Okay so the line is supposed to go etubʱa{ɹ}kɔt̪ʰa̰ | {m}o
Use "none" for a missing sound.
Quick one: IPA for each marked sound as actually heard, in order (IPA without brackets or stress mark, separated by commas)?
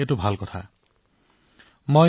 l, m